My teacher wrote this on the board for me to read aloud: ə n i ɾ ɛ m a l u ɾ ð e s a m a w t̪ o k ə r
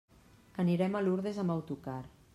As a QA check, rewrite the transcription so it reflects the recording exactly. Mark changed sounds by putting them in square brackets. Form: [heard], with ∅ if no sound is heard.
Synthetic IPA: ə n i ɾ ɛ m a l u ɾ ð e [z] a m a w t̪ [u] k [a] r